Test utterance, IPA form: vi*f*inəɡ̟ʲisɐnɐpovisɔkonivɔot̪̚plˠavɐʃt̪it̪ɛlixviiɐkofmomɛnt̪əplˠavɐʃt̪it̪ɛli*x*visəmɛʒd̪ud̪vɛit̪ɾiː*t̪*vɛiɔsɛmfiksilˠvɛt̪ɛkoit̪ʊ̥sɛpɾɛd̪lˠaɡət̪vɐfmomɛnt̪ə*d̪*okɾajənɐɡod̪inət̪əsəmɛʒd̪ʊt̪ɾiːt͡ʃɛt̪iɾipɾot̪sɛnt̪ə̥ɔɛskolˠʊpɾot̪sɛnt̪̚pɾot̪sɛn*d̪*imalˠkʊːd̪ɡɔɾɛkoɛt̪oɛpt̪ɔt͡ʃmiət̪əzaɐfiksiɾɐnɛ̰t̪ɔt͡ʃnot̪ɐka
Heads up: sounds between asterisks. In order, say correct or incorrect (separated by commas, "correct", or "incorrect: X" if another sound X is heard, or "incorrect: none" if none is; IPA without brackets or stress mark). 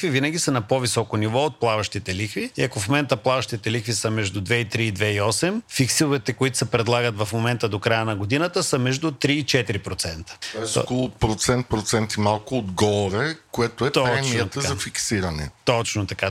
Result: incorrect: v, correct, incorrect: d̪, correct, incorrect: t̪